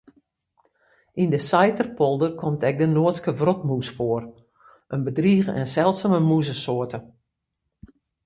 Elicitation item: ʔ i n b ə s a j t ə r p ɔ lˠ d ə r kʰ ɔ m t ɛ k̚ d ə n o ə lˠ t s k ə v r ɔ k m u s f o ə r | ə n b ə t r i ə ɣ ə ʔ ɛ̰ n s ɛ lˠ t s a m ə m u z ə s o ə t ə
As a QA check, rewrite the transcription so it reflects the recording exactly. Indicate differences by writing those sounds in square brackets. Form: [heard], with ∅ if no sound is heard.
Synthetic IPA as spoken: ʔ i n [d] ə s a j t ə r p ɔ lˠ d ə r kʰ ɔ m t ɛ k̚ d ə n o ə [∅] t s k ə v r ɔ [t] m u s f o ə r | ə n b ə [d] r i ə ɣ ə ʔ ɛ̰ n s ɛ lˠ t s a m ə m u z ə s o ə t ə